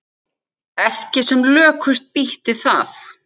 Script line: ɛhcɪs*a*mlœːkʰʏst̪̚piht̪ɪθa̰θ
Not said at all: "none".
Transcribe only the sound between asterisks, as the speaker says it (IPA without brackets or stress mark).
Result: ɛ